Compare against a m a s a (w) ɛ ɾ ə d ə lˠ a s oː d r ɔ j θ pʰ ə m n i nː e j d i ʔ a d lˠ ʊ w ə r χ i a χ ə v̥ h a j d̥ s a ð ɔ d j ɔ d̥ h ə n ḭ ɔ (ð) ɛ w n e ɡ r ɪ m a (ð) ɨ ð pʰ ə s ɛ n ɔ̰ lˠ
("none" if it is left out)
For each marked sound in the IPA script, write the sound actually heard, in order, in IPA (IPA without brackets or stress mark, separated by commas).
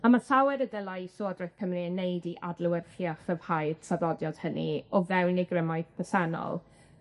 w, v, none